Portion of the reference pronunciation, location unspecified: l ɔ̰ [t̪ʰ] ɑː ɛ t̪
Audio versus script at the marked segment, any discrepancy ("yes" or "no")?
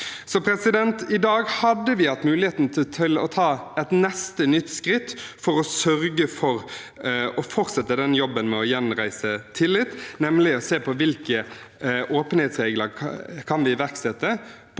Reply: no